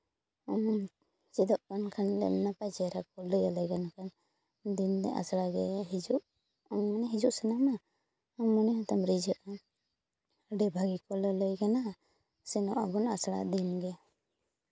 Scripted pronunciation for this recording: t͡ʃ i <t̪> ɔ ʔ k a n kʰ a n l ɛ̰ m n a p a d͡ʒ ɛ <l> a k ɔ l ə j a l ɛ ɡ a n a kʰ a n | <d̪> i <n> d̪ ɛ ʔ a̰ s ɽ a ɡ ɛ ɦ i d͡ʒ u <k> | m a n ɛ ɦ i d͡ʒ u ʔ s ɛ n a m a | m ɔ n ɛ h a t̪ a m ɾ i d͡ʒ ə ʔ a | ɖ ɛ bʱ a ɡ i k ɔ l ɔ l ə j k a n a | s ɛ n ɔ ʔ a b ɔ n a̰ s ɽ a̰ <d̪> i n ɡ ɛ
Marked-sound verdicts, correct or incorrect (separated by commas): incorrect, incorrect, correct, correct, incorrect, correct